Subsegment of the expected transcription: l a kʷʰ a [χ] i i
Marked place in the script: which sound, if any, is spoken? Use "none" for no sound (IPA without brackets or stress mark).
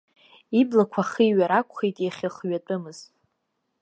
χ